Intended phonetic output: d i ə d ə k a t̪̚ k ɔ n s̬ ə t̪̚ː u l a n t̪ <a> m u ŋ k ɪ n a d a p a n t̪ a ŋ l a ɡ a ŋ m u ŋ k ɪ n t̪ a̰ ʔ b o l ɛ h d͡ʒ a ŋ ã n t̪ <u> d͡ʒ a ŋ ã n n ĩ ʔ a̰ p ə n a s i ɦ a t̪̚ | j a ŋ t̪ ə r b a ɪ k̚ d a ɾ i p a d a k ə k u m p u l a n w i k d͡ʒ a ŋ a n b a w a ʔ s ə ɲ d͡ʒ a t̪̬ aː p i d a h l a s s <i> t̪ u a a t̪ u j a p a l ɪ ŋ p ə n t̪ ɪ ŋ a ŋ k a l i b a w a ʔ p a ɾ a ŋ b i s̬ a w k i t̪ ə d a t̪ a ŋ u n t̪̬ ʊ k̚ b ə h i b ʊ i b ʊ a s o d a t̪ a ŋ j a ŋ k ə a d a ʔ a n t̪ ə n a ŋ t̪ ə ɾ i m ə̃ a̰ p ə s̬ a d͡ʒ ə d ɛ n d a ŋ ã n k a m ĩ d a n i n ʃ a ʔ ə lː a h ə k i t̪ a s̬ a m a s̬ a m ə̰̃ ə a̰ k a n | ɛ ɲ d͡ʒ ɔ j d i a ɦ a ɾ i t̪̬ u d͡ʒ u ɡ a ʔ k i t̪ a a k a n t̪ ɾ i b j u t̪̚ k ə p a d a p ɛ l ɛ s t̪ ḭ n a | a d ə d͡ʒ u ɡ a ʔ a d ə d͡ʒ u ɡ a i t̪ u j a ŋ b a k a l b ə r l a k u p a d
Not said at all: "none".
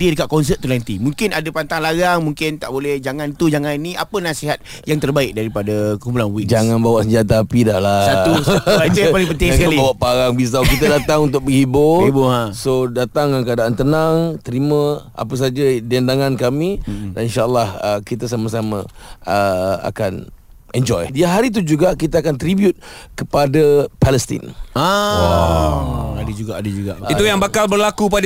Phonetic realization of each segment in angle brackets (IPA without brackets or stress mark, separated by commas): i, u, a